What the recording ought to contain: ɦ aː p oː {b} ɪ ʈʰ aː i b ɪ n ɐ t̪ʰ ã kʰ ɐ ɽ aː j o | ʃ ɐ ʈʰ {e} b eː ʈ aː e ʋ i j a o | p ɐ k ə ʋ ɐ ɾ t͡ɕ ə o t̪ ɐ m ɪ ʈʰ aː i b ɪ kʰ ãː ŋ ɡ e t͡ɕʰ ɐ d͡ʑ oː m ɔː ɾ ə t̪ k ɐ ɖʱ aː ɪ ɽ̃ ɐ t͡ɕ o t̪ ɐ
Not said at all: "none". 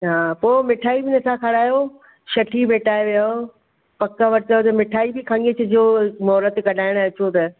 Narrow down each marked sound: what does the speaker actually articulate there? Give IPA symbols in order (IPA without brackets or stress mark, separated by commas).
m, i